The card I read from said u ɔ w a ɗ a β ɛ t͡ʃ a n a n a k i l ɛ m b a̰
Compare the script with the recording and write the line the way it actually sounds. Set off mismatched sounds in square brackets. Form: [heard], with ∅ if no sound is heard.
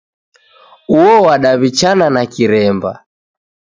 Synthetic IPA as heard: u ɔ w a ɗ a β [i] t͡ʃ a n a n a k i [ɾ] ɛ m b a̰